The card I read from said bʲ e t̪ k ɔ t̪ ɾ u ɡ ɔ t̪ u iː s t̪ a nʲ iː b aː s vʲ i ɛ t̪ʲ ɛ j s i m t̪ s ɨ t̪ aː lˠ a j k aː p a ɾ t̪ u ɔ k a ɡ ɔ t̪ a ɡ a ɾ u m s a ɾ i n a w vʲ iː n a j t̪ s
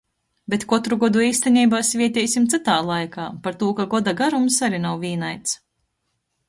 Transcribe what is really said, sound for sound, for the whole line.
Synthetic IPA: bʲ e t̪ k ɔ t̪ ɾ u ɡ ɔ d̪ u iː s t̪ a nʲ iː b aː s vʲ i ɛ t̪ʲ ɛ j s i m t̪ s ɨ t̪ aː lˠ a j k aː p a ɾ t̪ u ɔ k a ɡ ɔ d̪ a ɡ a ɾ u m s a ɾ i n a w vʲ iː n a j t̪ s

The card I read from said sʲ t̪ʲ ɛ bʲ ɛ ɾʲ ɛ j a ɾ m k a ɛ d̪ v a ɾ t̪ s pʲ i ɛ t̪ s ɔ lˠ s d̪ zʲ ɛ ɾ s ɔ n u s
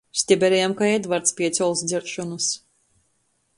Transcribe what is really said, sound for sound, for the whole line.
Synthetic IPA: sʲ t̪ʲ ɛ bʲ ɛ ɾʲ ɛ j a m k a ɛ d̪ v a ɾ t̪ s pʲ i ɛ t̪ s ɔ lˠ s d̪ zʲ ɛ ɾ ʃ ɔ n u s

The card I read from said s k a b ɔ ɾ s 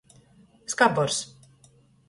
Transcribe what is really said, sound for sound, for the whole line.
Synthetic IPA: s k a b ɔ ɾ s

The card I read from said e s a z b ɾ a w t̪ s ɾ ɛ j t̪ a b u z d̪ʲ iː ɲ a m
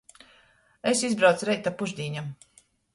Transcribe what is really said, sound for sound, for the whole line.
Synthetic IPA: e s i z b ɾ a w t̪ s ɾ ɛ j t̪ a p u ʒ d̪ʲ iː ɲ a m

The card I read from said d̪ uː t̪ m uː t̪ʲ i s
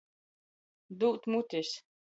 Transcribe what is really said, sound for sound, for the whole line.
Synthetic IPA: d̪ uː t̪ m u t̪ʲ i s

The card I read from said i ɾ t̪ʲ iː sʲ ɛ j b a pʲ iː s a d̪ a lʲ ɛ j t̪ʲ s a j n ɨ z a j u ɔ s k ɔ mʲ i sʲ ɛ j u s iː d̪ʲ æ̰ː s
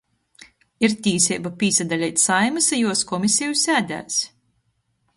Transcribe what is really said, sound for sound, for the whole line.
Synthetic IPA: i ɾ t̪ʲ iː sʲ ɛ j b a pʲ iː s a d̪ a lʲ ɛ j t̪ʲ s a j m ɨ s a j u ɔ s k ɔ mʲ i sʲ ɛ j u s æː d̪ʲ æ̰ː s

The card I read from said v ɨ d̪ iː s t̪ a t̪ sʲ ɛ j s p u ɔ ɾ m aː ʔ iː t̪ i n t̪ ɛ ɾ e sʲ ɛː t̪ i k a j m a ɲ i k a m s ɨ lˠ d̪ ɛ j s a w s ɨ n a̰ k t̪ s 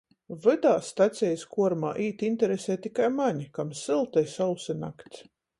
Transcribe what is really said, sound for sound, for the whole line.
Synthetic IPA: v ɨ d̪ aː s t̪ a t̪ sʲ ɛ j s k u ɔ ɾ m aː ʔ iː t̪ i n t̪ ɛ ɾ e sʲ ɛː t̪ i k a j m a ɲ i k a m s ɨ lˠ t̪ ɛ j s a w s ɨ n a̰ k t̪ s

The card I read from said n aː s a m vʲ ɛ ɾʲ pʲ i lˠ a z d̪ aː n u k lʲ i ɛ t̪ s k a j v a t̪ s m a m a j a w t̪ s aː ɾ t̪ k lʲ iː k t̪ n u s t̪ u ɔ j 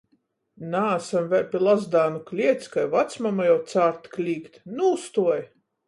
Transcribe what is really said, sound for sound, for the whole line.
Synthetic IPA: n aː s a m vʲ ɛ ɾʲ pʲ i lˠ a z d̪ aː n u k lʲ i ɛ t̪ s k a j v a t̪ s m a m a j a w t̪ s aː ɾ t̪ k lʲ iː k t̪ n u s t̪ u ɔ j

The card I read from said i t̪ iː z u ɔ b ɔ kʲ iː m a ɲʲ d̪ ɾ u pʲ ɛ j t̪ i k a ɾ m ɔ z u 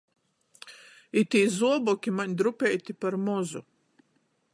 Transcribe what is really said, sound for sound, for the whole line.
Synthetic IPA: i t̪ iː z u ɔ b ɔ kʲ i m a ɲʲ d̪ ɾ u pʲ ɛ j t̪ i p a ɾ m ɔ z u

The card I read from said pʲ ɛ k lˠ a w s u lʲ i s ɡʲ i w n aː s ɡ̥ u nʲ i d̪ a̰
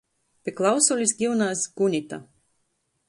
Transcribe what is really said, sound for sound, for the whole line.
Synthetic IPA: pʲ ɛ k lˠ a w s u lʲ i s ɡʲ i w n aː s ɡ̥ u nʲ i t̪ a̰

